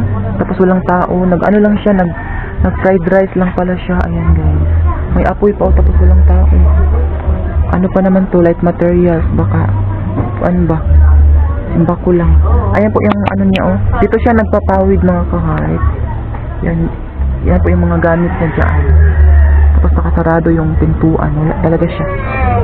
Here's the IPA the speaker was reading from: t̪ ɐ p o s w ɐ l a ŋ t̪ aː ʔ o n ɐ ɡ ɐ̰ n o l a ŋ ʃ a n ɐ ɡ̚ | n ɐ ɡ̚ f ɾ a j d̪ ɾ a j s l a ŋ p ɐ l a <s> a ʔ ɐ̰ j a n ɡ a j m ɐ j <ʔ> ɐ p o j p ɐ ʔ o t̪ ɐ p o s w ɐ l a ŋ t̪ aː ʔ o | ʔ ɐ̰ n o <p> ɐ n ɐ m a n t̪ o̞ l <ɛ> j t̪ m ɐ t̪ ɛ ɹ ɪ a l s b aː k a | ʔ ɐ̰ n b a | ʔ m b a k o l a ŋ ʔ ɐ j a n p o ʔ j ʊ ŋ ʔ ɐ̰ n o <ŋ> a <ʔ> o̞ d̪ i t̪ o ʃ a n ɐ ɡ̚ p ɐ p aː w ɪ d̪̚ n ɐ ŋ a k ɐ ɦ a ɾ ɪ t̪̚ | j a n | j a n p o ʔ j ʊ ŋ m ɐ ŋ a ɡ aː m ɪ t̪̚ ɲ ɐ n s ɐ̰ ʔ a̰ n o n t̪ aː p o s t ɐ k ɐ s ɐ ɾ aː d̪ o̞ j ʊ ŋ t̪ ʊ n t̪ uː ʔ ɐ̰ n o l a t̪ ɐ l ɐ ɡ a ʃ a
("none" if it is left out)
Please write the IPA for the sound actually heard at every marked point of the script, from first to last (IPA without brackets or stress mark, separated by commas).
ʃ, ʔ, p, a, ɲ, ʔ